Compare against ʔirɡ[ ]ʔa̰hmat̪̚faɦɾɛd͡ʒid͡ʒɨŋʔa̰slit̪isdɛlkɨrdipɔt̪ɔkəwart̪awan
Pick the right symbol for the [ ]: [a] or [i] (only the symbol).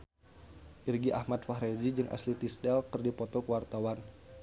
i